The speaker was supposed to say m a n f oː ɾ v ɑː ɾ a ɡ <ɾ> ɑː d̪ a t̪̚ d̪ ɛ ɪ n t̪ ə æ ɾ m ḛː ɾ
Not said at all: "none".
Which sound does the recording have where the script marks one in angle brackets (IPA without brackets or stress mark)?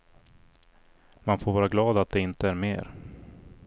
l